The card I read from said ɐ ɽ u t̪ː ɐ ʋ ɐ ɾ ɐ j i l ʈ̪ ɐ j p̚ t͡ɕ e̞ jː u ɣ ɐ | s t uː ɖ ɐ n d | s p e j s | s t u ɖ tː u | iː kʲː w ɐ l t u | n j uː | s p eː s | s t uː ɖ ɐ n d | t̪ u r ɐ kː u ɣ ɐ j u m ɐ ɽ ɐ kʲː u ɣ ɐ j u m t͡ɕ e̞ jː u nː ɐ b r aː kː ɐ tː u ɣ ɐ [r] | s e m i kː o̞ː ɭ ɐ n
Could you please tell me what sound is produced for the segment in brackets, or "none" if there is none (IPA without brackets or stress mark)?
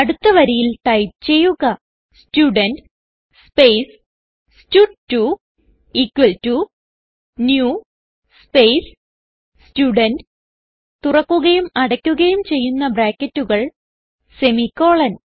ɭ